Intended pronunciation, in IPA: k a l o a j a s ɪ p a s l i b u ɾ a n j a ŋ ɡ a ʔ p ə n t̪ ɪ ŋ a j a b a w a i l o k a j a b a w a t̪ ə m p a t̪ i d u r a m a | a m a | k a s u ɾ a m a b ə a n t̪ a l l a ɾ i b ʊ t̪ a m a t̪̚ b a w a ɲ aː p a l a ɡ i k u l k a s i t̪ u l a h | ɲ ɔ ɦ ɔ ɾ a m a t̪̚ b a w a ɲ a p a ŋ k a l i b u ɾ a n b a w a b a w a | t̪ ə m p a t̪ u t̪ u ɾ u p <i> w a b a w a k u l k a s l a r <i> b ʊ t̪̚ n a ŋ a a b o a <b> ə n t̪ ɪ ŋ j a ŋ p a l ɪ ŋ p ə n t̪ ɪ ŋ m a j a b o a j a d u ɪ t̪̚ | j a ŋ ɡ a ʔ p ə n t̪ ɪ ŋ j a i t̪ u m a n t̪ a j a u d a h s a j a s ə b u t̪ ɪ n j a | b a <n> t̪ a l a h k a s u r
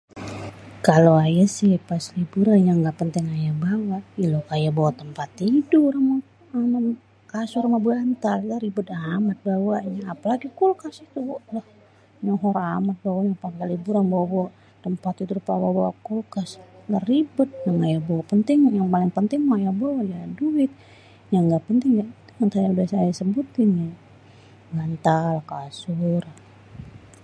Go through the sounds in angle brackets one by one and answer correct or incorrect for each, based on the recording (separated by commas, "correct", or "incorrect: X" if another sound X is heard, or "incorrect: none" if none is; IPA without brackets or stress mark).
incorrect: a, correct, incorrect: p, correct